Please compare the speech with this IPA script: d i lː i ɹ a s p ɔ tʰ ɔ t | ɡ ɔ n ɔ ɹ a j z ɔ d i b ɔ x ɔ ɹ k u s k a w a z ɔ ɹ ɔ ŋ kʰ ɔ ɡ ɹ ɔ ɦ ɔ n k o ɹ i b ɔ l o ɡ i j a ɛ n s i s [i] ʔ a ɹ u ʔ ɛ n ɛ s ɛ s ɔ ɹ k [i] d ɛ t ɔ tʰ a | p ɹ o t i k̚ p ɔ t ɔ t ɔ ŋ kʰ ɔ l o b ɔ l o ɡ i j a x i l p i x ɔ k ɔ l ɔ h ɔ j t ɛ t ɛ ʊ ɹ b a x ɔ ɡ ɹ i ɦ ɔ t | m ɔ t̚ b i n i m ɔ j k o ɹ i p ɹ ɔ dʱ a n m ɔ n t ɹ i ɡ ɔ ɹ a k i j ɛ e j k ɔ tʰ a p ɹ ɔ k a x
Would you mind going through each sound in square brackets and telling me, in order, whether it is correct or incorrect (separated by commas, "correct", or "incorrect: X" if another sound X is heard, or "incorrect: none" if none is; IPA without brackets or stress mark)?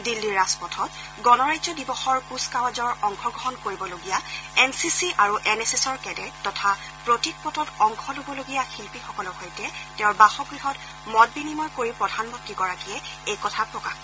correct, incorrect: ɛ